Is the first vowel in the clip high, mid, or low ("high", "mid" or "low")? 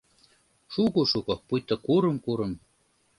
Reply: high